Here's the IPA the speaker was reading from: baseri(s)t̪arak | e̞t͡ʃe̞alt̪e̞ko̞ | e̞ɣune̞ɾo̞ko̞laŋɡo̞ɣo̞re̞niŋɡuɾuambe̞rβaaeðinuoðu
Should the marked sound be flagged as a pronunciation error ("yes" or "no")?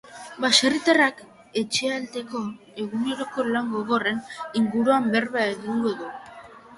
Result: yes